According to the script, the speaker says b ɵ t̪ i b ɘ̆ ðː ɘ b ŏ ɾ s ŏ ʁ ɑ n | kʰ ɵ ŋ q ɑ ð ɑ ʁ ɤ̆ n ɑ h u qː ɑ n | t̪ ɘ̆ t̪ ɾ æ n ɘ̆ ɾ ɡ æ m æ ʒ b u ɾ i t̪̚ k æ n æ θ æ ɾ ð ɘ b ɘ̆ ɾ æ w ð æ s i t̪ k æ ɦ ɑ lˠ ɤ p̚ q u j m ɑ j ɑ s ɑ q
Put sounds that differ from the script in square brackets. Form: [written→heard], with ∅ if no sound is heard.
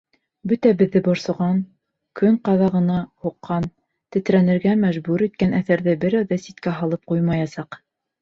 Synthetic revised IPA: b ɵ t̪ [i→æ] b ɘ̆ ðː ɘ b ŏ ɾ s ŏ ʁ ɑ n | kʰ ɵ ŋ q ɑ ð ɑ ʁ ɤ̆ n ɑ h u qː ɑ n | t̪ ɘ̆ t̪ ɾ æ n ɘ̆ ɾ ɡ æ m æ ʒ b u ɾ i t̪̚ k æ n æ θ æ ɾ ð ɘ b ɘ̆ ɾ æ w ð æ s i t̪ k æ ɦ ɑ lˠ ɤ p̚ q u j m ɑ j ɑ s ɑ q